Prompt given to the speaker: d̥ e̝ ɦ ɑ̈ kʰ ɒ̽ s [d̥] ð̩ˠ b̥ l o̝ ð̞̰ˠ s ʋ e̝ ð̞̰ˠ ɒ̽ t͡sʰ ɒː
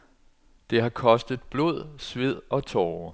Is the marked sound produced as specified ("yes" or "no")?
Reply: yes